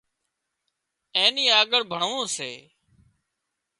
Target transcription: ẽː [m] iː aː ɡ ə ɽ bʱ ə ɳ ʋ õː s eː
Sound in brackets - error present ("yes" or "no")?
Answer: yes